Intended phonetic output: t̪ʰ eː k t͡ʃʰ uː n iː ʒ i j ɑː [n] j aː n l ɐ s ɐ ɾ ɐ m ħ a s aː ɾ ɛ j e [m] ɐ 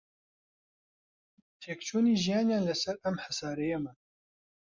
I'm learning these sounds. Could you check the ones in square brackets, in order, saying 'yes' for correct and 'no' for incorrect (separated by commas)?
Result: yes, yes